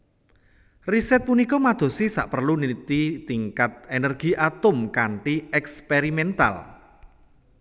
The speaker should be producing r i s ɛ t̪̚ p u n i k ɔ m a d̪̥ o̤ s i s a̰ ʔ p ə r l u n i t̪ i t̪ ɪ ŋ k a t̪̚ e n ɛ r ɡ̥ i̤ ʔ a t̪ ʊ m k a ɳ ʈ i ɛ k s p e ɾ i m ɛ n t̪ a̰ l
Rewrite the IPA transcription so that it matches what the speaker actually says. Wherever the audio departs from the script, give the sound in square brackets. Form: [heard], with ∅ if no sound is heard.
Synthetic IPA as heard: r i s ɛ t̪̚ p u n i k ɔ m a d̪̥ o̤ s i s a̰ ʔ p ə r l u n i t̪ i t̪ [i] ŋ k a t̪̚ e n ɛ r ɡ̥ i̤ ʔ a t̪ ʊ m k a ɳ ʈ i ɛ k s p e ɾ i m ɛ n t̪ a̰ l